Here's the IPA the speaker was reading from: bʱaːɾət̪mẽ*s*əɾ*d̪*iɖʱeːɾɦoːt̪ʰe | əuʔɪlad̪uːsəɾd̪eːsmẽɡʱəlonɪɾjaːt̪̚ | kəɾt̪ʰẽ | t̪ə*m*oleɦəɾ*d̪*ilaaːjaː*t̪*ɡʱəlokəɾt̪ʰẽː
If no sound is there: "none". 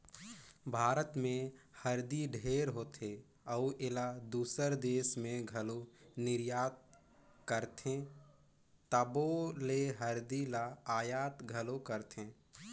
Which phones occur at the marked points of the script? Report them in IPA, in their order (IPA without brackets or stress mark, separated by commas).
h, d̪, b, d̪, t̪